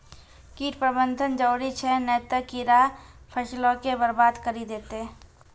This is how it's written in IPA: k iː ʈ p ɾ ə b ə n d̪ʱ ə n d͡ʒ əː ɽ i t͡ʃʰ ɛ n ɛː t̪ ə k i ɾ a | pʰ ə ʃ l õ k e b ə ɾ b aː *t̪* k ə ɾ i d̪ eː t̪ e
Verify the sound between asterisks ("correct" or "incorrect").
incorrect